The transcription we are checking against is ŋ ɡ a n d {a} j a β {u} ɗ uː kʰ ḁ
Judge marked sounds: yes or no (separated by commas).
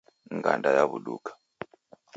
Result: yes, yes